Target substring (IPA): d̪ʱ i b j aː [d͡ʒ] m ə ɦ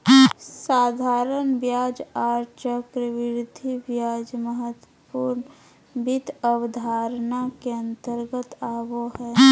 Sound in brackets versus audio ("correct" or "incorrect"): correct